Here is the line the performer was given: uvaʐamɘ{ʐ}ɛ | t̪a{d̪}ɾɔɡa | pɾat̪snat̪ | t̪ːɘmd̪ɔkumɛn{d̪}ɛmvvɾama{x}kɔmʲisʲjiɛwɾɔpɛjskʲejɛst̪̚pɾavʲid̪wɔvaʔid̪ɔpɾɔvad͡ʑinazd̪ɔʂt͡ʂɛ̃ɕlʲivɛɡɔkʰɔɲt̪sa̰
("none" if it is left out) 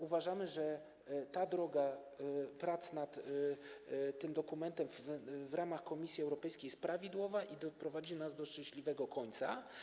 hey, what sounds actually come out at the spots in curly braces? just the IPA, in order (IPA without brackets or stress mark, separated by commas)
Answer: ʐ, d̪, t̪, x